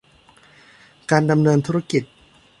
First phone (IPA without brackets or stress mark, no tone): k